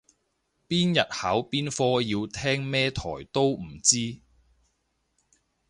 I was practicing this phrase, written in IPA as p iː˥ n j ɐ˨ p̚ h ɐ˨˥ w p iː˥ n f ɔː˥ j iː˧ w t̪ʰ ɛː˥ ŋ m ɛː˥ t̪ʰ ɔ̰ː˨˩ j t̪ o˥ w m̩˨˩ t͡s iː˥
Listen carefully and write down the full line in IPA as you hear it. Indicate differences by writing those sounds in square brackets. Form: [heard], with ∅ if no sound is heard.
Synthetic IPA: p iː˥ n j ɐ˨ [t̚] h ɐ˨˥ w p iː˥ n f ɔː˥ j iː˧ w t̪ʰ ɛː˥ ŋ m ɛː˥ t̪ʰ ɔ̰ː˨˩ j t̪ o˥ w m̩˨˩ t͡s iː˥